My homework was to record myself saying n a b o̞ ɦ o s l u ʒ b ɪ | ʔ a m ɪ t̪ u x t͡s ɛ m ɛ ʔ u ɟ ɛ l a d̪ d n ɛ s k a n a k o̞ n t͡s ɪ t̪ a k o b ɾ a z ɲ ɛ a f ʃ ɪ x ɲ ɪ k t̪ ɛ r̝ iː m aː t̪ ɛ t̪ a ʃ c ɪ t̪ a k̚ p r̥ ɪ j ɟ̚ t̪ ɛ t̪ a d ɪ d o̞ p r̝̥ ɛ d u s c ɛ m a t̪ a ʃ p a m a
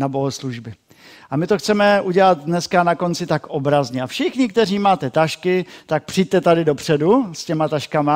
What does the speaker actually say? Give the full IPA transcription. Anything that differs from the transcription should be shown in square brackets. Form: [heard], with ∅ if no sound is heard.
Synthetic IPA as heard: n a b o̞ ɦ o s l u ʒ b ɪ | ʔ a m ɪ t̪ [o] x t͡s ɛ m ɛ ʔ u ɟ ɛ l a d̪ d n ɛ s k a n a k o̞ n t͡s ɪ t̪ a k o b ɾ a z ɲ ɛ a f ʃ ɪ x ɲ ɪ k t̪ ɛ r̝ iː m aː t̪ ɛ t̪ a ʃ [k] ɪ t̪ a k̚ p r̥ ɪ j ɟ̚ t̪ ɛ t̪ a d ɪ d o̞ p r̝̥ ɛ d u s c ɛ m a t̪ a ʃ [k] a m a